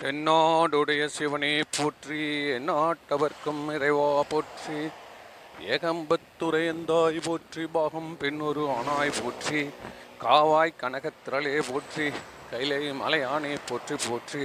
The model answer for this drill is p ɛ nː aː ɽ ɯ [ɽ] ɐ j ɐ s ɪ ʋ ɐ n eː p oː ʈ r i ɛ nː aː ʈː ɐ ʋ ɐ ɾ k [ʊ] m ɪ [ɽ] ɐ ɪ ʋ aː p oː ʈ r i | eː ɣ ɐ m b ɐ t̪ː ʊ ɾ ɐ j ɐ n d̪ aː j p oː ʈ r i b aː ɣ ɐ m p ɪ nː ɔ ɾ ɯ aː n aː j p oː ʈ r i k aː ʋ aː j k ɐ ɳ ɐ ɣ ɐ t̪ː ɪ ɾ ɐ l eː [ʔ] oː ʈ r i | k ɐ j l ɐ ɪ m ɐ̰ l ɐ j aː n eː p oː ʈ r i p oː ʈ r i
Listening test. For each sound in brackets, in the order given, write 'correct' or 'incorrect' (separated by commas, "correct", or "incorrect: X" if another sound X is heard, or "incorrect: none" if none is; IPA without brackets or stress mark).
correct, incorrect: ɯ, incorrect: ɾ, incorrect: p